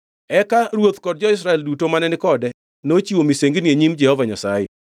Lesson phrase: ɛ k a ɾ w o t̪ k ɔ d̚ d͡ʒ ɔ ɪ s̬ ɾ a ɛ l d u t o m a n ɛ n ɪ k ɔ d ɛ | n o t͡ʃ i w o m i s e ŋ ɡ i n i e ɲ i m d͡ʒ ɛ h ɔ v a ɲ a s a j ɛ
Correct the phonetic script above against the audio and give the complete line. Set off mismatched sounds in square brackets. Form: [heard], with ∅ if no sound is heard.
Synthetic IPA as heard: ɛ k a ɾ w o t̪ k ɔ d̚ d͡ʒ ɔ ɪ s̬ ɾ a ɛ l d u t o m a n ɛ n ɪ k ɔ d ɛ | n o t͡ʃ i w o m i s e ŋ ɡ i n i e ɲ i m d͡ʒ ɛ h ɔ v a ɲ a s a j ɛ